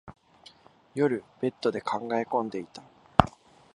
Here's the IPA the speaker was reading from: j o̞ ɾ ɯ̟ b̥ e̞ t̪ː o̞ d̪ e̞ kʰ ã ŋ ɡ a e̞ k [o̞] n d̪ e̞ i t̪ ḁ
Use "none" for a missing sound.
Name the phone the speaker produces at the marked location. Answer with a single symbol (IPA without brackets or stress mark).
õ̞